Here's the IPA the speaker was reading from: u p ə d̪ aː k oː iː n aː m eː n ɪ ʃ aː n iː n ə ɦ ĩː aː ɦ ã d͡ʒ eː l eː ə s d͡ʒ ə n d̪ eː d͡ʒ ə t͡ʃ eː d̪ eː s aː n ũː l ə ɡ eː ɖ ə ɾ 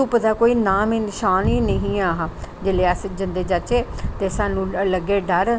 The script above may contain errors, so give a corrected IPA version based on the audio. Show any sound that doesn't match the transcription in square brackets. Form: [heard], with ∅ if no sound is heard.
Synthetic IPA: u p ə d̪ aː k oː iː n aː m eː n ɪ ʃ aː n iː n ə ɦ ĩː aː ɦ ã d͡ʒ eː l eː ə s d͡ʒ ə n d̪ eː d͡ʒ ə t͡ʃ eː [t̪] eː s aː n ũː l ə ɡ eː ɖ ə ɾ

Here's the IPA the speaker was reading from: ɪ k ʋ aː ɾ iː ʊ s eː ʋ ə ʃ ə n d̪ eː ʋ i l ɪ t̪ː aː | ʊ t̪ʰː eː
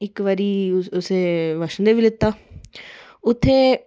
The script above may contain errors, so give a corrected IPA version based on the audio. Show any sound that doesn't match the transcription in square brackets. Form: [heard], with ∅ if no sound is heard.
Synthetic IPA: ɪ k ʋ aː ɾ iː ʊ s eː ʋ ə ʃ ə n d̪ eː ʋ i l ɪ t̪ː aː | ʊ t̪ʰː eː

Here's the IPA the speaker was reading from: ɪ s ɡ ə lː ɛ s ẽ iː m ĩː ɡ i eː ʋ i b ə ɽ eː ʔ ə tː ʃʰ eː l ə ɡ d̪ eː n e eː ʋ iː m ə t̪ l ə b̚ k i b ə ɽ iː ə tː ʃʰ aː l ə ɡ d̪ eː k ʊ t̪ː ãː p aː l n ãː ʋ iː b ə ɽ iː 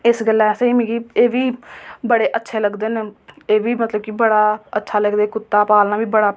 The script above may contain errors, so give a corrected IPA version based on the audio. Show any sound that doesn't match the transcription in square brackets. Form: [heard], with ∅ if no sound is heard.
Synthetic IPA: ɪ s ɡ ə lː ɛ s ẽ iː m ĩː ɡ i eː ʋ [iː] b ə ɽ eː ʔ ə tː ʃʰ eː l ə ɡ d̪ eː n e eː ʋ iː m ə t̪ l ə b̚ k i b ə ɽ [aː] ə tː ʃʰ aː l ə ɡ d̪ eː k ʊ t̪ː [aː] p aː l n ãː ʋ iː b ə ɽ [aː]

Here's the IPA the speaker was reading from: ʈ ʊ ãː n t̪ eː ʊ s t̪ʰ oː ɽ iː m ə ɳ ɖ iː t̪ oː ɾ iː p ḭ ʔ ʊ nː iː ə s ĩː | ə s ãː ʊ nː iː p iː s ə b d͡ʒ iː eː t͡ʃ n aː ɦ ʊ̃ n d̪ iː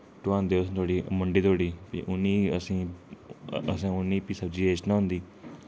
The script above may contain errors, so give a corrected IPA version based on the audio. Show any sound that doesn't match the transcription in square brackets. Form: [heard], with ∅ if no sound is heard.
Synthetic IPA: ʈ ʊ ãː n [d̪] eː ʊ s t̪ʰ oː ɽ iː m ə ɳ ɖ iː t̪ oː [ɽ] iː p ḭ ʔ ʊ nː iː ə s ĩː | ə s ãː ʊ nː iː p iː s ə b d͡ʒ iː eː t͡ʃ n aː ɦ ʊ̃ n d̪ iː

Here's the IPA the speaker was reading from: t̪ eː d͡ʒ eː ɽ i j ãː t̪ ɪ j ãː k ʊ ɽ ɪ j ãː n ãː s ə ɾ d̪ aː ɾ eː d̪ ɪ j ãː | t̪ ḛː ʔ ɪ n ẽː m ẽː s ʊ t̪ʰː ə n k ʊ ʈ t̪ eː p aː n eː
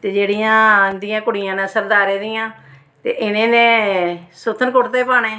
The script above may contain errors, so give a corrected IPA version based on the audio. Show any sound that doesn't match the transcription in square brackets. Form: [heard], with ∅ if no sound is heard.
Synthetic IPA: t̪ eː d͡ʒ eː ɽ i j ãː [d̪] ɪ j ãː k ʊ ɽ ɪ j ãː n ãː s ə ɾ d̪ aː ɾ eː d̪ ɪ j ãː | t̪ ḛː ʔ ɪ n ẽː [n] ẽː s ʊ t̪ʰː ə n k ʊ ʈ t̪ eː p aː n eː

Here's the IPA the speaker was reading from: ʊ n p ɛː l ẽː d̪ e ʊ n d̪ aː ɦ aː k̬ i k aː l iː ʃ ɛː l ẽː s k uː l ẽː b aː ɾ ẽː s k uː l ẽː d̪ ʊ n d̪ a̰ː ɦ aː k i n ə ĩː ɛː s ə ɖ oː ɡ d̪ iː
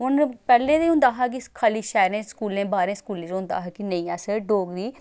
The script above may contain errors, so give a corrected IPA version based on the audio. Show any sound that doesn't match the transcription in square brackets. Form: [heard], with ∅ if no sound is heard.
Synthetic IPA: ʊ n p ɛː l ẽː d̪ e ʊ n d̪ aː ɦ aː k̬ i [kʰ] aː l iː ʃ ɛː [ɾ] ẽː s k uː l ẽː b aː ɾ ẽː s k uː l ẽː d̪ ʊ n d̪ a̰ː ɦ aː k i n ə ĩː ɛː s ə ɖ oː ɡ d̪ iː

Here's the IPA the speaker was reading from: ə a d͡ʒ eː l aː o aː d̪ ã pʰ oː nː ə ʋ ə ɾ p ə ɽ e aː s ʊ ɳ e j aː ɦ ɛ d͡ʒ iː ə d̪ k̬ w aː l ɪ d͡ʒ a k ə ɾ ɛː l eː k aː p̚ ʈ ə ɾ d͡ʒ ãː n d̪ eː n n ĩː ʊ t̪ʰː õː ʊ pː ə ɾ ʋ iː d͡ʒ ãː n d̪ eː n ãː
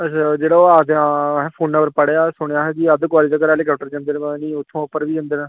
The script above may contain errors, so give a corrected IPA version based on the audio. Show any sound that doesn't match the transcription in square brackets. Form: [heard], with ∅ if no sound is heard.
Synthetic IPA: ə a d͡ʒ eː [ɽ] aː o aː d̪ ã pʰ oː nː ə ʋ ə ɾ p ə ɽ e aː s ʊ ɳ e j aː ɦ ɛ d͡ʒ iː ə d̪ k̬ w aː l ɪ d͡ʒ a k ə ɾ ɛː l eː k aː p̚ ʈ ə ɾ d͡ʒ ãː n d̪ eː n n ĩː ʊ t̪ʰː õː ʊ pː ə ɾ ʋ iː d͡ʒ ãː n d̪ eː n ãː

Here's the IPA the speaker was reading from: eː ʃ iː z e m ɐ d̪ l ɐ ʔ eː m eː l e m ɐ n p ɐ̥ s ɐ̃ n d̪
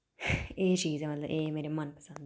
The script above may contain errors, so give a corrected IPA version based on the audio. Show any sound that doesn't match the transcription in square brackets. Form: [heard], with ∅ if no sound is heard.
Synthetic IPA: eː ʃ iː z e m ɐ [t̪] l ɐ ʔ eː m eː [ɾ] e m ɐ n p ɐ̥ s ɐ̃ n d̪

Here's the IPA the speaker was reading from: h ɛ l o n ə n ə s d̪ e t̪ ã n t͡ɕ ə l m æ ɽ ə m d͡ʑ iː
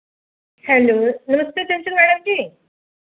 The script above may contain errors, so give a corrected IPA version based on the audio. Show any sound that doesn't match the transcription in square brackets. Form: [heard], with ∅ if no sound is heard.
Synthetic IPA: h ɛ l o n ə [m] ə s [t̪] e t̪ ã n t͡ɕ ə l m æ ɽ ə m d͡ʑ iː

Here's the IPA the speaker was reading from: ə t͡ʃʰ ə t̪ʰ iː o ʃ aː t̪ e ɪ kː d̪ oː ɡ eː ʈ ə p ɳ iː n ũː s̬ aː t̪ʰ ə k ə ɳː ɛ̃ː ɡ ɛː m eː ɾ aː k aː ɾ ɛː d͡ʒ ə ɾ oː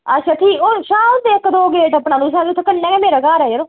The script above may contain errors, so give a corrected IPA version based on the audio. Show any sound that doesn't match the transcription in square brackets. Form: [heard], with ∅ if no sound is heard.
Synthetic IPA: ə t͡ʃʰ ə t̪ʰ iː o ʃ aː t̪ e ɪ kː d̪ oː ɡ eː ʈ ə p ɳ [aː] n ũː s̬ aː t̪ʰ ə k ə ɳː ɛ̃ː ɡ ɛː m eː ɾ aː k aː ɾ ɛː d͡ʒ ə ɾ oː

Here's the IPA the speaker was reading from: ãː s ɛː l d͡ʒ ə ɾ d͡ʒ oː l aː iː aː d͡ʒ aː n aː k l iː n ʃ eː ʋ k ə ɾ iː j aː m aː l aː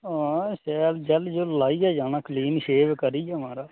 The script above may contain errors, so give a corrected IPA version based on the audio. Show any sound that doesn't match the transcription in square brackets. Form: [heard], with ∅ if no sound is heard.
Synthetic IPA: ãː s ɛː l d͡ʒ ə [l] d͡ʒ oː l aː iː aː d͡ʒ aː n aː k l iː n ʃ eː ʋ k ə ɾ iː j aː m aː [ɾ] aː

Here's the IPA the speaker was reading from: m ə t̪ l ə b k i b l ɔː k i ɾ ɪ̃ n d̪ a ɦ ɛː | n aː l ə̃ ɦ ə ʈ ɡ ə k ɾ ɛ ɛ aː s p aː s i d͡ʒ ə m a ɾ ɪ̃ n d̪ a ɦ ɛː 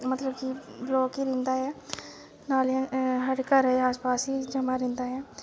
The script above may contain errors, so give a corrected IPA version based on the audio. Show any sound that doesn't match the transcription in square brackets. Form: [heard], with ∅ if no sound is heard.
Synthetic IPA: m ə t̪ l ə b k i b l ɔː k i ɾ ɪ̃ n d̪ a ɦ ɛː | n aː l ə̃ ɦ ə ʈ [k] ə [∅] ɾ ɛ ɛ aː s p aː s i d͡ʒ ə m a ɾ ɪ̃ n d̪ a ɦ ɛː

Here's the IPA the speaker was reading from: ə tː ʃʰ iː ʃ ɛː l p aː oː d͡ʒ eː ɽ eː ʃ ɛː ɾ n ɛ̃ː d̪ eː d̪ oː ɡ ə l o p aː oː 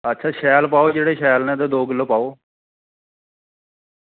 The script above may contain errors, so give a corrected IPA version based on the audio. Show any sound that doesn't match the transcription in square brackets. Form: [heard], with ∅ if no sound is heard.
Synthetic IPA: ə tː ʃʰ [aː] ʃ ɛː l p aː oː d͡ʒ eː ɽ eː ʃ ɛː [l] n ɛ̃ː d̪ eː d̪ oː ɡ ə l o p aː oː

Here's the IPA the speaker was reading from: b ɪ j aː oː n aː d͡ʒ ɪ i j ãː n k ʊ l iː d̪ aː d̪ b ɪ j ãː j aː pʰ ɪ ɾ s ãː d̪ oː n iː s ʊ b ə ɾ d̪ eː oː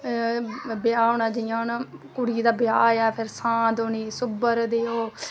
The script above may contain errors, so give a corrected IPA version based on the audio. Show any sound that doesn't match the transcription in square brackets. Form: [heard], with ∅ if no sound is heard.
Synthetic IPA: b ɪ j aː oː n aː d͡ʒ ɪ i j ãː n k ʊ [ɽ] iː d̪ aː [∅] b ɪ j [aː] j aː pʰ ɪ ɾ s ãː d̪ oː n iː s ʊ b ə ɾ d̪ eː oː

